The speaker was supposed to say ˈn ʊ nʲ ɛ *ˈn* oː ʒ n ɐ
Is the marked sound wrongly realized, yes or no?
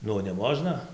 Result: yes